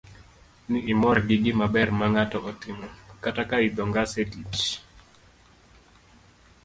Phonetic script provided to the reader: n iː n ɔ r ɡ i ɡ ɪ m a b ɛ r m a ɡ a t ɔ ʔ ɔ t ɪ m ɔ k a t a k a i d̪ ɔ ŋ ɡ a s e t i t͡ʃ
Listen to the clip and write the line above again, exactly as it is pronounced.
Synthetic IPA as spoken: n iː m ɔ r ɡ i ɡ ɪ m a b ɛ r m a ŋ a t ɔ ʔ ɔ t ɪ m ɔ k a t a k a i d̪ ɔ ŋ ɡ a s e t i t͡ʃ